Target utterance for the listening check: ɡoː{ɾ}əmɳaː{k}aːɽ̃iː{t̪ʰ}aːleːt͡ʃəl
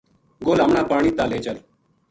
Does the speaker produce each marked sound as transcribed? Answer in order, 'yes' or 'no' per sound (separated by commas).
no, no, no